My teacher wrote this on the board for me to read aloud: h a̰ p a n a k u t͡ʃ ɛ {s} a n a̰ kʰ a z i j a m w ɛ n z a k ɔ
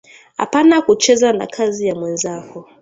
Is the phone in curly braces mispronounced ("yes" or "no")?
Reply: yes